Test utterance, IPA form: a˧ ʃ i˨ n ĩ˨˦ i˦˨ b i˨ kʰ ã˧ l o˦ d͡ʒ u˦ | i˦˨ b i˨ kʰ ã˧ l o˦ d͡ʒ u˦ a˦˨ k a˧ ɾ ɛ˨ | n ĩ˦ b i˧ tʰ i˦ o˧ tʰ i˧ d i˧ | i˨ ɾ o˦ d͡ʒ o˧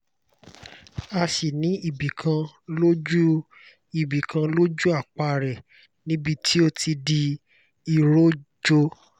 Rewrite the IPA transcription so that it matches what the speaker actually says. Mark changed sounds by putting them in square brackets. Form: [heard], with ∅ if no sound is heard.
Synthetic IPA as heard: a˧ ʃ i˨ n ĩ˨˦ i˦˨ b i˨ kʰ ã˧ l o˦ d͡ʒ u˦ | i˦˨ b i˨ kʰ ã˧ l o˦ d͡ʒ u˦ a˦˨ [k͡p] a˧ ɾ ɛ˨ | n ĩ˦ b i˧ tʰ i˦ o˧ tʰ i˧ d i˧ | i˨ ɾ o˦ d͡ʒ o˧